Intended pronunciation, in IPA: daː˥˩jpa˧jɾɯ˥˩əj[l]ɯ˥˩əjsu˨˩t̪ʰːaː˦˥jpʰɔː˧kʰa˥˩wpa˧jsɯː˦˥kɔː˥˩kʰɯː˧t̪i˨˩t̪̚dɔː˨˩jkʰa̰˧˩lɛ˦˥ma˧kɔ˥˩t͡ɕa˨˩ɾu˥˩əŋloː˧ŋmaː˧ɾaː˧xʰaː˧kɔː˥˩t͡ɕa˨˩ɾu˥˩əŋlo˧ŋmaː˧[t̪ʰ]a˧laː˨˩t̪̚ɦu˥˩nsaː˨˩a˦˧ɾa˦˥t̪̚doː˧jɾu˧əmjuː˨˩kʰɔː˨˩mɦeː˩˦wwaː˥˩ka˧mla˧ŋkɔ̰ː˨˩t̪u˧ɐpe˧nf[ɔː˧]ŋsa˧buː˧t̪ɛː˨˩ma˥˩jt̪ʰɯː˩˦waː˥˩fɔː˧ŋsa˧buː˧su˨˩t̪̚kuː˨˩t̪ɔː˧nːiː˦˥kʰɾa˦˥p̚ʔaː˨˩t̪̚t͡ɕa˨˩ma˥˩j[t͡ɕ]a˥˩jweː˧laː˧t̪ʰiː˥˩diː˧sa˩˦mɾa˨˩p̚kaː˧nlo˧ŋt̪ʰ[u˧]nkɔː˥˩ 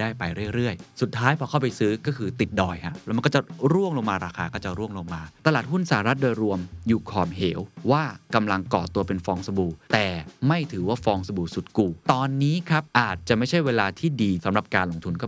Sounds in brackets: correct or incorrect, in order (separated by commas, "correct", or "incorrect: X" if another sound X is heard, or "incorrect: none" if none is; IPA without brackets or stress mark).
incorrect: ɾ, incorrect: t̪, correct, incorrect: t͡ɕʰ, correct